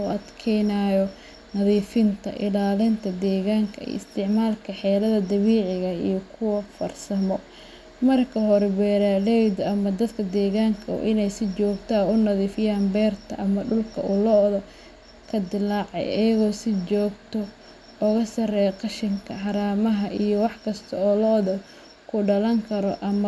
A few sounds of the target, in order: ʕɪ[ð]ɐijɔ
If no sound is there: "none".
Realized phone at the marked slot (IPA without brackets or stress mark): ɣ